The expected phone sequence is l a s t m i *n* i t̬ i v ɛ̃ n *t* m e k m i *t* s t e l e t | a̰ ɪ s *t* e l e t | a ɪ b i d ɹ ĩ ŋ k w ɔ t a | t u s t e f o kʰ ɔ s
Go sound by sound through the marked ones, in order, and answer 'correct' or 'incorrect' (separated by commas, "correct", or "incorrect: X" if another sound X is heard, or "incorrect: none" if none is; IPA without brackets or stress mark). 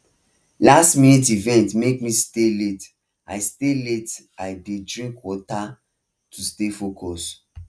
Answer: correct, correct, incorrect: none, correct